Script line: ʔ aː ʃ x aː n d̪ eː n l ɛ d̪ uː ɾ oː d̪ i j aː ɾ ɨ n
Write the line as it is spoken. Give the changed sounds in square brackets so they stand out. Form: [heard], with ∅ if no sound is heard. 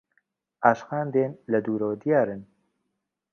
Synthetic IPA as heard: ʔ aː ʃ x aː n d̪ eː n l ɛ d̪ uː ɾ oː d̪ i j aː ɾ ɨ n